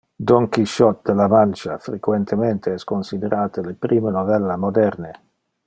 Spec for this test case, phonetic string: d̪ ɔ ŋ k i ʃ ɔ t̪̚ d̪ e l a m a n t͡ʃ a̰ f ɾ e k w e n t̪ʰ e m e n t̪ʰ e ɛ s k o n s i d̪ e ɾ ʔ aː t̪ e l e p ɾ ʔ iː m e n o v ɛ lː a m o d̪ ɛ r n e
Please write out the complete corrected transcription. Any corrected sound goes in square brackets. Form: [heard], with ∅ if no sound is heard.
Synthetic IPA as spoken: d̪ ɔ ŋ k i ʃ ɔ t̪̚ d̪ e l a m a n t͡ʃ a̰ f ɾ e k w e n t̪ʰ e m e n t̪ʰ e ɛ s k o n s i d̪ e ɾ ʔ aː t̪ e l e p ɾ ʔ iː m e n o v ɛ lː a m o d̪ ɛ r n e